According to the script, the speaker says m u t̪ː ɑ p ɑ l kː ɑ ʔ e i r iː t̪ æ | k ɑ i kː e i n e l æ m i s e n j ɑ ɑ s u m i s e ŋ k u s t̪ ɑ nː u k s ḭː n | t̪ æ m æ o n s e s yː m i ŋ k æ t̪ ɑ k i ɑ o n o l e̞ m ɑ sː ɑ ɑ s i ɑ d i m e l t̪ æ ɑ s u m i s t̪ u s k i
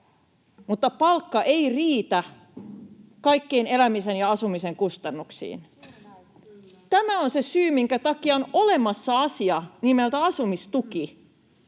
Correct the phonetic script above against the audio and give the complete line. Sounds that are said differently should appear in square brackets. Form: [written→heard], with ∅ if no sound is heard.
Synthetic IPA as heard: m u t̪ː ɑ p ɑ l kː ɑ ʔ e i r iː t̪ æ | k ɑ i kː e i n e l æ m i s e n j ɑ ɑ s u m i s e ŋ k u s t̪ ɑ nː u k s ḭː n | t̪ æ m æ o n s e s yː m i ŋ k æ t̪ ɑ k i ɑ o n o l e̞ m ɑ sː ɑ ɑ s i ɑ [d→n] i m e l t̪ æ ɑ s u m i s t̪ u [s→∅] k i